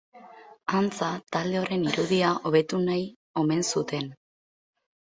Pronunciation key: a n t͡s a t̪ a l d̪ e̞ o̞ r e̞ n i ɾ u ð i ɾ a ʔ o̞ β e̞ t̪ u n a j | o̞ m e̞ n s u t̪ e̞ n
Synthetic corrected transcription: a n t͡s a t̪ a l d̪ e̞ o̞ ɾ e̞ n i ɾ u ð i a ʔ o̞ β e̞ t̪ u n a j | o̞ m e̞ n s u t̪ e̞ n